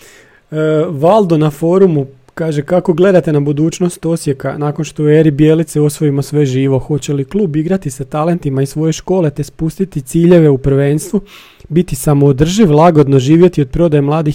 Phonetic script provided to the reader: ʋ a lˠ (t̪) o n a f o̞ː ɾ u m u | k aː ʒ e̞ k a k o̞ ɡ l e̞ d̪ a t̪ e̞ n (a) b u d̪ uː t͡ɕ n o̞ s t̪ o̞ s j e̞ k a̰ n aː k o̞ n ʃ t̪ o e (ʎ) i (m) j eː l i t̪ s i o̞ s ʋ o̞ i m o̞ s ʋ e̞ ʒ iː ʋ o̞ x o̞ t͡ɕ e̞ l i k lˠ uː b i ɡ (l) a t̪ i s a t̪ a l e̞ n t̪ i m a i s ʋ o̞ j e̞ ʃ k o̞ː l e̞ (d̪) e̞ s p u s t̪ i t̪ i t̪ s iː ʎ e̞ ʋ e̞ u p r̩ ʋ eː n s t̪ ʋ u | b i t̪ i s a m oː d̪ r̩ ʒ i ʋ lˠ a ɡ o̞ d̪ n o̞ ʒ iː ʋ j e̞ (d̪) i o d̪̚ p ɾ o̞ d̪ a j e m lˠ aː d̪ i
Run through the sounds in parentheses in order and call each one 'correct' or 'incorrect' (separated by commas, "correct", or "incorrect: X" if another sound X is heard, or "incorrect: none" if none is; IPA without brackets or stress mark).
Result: incorrect: d̪, correct, incorrect: ɾ, incorrect: b, incorrect: ɾ, incorrect: t̪, incorrect: t̪